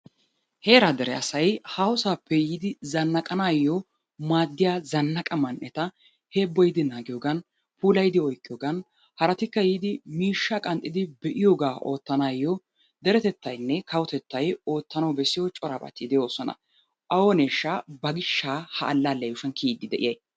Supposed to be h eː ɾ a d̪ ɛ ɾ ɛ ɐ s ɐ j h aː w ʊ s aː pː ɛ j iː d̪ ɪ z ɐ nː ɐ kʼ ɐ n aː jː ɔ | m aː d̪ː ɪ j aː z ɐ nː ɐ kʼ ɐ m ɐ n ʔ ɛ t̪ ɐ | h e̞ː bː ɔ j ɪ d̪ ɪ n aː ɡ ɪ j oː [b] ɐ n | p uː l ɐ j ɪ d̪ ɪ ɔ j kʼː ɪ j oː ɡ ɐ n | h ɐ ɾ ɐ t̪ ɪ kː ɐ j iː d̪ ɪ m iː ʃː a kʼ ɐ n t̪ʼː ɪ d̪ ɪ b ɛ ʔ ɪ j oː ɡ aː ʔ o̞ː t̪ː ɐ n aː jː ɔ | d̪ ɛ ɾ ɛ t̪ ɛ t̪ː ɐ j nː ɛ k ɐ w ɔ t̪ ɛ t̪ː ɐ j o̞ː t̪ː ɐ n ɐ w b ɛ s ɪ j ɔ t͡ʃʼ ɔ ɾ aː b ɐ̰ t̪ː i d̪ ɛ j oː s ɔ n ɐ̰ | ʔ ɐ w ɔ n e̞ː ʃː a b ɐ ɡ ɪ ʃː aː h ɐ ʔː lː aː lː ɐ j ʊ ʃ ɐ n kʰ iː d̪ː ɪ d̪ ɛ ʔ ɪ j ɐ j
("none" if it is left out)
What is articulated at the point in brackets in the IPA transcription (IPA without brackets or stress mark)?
ɡ